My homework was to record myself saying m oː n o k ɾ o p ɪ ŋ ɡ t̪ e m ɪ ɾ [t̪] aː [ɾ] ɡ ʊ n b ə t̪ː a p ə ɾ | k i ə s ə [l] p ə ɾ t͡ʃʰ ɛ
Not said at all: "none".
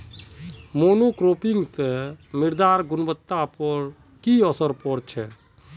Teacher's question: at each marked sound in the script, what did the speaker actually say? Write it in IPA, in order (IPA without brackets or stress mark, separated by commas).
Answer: d̪, ɾ, ɾ